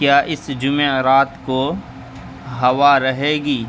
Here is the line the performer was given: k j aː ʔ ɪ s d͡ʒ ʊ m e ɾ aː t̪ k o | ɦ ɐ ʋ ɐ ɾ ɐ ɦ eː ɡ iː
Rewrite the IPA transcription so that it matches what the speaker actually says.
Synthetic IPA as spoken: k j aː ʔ ɪ s d͡ʒ ʊ m e ɾ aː t̪ k o | ɦ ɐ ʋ a ɾ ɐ ɦ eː ɡ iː

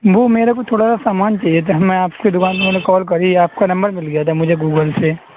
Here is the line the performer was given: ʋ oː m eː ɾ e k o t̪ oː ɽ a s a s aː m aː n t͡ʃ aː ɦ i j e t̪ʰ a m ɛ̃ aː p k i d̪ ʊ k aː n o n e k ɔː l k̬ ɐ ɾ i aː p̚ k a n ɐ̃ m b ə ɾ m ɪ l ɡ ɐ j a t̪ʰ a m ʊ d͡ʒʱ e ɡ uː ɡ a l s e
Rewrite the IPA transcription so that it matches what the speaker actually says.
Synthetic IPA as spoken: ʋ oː m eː ɾ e k o t̪ʰ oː ɽ a s a s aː m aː n t͡ʃ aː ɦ i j e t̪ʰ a m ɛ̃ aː p k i d̪ ʊ k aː n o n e k ɔː l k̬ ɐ ɾ i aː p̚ k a n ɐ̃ m b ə ɾ m ɪ l ɡ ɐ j a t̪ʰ a m ʊ d͡ʒʱ e ɡ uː ɡ ə l s e

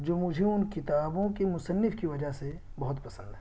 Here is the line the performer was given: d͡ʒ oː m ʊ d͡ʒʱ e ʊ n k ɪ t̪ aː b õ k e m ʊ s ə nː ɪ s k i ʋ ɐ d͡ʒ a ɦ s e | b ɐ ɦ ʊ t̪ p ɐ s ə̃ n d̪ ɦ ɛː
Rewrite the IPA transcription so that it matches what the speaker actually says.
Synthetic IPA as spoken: d͡ʒ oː m ʊ d͡ʒʱ e ʊ n k ɪ t̪ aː b õ k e m ʊ s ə nː ɪ f k i ʋ ɐ d͡ʒ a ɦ s e | b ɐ ɦ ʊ t̪ p ɐ s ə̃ n d̪ ɦ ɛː

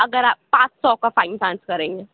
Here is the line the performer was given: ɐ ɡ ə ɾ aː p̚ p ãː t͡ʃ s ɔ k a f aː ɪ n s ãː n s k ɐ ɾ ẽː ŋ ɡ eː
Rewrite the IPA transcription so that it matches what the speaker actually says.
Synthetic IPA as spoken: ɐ ɡ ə ɾ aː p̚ p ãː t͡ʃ s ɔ k a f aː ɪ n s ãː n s k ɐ ɾ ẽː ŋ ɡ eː

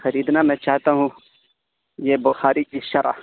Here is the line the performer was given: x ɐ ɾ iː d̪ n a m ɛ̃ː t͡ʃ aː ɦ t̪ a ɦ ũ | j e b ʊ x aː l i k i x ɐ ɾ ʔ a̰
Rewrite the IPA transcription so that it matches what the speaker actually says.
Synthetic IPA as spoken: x ɐ ɾ iː d̪ n a m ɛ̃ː t͡ʃ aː ɦ t̪ a ɦ ũ | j e b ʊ x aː ɾ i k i ʃ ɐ ɾ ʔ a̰

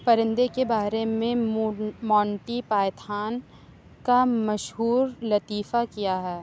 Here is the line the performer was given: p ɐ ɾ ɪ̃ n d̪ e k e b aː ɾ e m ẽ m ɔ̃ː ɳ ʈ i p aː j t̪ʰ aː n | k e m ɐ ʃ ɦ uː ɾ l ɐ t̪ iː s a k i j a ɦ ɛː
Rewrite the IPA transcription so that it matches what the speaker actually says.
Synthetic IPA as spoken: p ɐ ɾ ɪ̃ n d̪ e k e b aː ɾ e m ẽ m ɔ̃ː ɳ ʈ i p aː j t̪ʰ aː n | k a m ɐ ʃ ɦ uː ɾ l ɐ t̪ iː f a k i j a ɦ ɛː

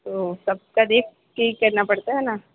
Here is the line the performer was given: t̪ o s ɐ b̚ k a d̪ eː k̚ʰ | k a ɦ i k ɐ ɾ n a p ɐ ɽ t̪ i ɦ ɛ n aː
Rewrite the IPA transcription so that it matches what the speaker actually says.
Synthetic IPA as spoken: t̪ o s ɐ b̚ k a d̪ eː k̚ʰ | k e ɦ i k ɐ ɾ n a p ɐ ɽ t̪ a ɦ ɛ n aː

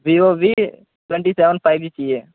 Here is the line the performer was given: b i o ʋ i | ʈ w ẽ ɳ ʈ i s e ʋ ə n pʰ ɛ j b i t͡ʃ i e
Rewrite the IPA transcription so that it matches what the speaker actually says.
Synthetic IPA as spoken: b i o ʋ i | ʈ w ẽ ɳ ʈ i s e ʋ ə n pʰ a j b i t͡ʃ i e

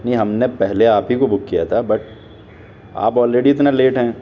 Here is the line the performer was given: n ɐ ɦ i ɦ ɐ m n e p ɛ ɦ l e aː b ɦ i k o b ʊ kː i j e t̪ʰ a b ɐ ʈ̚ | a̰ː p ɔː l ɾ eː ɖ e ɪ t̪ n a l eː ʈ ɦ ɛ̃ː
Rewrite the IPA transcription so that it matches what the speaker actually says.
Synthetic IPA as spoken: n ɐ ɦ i ɦ ɐ m n e p ɛ ɦ l e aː p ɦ i k o b ʊ kː i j a t̪ʰ a b ɐ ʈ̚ | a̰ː p ɔː l ɾ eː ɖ i ɪ t̪ n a l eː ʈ ɦ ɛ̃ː

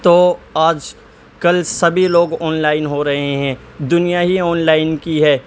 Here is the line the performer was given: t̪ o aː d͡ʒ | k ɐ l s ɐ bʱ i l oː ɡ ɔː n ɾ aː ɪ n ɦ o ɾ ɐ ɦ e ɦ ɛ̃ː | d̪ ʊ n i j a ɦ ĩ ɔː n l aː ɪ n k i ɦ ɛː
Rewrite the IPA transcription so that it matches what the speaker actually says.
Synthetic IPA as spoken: t̪ o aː d͡ʒ | k ɐ l s ɐ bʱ i l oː ɡ ɔː n l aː ɪ n ɦ o ɾ ɐ ɦ e ɦ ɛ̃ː | d̪ ʊ n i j a ɦ i ɔː n l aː ɪ n k i ɦ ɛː

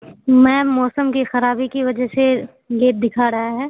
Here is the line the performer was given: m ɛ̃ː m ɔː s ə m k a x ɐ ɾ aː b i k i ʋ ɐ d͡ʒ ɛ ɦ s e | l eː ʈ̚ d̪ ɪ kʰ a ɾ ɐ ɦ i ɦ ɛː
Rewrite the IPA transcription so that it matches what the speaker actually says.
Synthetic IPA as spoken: m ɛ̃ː m ɔː s ə m k i x ɐ ɾ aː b i k i ʋ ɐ d͡ʒ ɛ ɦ s e | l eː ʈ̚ d̪ ɪ kʰ a ɾ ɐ ɦ a ɦ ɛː

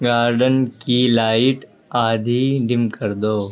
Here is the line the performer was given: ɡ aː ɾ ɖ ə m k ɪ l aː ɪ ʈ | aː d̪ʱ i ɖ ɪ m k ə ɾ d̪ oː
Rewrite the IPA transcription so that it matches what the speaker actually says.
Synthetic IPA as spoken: ɡ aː ɾ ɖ ə n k i l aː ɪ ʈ | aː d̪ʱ i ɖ ɪ m k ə ɾ d̪ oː

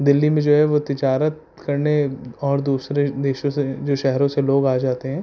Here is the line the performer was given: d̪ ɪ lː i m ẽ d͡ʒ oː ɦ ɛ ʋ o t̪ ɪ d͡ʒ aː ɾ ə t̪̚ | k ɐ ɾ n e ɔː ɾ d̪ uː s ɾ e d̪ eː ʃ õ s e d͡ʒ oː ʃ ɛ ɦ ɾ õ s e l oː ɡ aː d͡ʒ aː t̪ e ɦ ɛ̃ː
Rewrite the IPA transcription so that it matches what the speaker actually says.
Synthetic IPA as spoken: d̪ ɪ lː i m ẽ d͡ʒ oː ɦ ɛ ʋ o t̪ ɪ d͡ʒ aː ɾ ə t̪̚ | k ɐ ɾ n e ɔː ɾ d̪ uː s ɾ e d̪ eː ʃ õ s e d͡ʒ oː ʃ ɛ ɦ ɾ õ s e l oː ɡ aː d͡ʒ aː t̪ e ɦ ɛ̃ː

